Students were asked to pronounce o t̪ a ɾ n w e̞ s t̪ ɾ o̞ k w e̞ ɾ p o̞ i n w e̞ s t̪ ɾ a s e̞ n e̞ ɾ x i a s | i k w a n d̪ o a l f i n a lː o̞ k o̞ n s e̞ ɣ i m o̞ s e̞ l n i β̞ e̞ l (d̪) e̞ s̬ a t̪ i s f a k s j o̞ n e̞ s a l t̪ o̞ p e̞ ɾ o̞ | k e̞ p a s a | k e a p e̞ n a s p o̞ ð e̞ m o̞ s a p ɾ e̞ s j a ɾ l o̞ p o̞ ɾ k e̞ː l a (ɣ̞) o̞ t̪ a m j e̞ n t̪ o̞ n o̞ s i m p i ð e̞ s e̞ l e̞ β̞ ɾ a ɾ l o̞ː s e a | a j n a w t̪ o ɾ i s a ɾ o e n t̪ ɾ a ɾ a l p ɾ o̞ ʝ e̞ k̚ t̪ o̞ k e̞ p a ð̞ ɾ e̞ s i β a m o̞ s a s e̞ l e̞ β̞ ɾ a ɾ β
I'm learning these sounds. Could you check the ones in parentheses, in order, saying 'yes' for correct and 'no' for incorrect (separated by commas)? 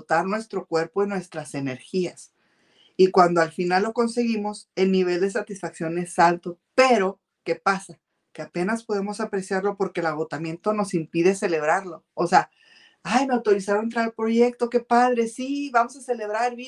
yes, yes